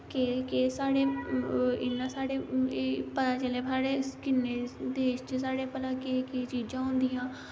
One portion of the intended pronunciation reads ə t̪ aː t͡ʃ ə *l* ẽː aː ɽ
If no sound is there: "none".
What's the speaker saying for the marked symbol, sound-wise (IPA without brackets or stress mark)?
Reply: l